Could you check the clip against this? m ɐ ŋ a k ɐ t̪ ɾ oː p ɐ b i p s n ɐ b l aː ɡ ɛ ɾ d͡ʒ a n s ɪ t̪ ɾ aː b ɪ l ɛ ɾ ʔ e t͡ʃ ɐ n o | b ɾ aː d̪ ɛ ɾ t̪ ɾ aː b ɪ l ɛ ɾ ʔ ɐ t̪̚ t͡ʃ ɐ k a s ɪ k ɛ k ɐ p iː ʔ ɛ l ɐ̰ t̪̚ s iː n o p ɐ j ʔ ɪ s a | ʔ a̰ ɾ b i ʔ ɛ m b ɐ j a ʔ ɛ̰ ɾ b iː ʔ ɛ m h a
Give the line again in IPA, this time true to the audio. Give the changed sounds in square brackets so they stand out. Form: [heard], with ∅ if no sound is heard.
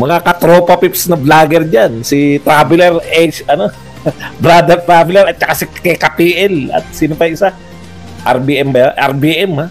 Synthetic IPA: m ɐ ŋ a k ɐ t̪ ɾ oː p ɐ [p] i p s n ɐ b l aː ɡ ɛ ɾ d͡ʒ a n s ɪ t̪ ɾ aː b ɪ l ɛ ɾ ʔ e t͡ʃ ɐ n o | b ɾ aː d̪ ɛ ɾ t̪ ɾ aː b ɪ l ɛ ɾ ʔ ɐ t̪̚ t͡ʃ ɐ k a s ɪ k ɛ k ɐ p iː ʔ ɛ l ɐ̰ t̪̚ s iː n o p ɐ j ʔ ɪ s a | ʔ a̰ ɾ b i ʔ ɛ m b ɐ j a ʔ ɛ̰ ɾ b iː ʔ ɛ m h a